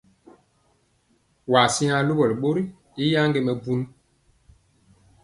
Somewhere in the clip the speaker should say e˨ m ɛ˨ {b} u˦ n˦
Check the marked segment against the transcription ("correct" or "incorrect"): correct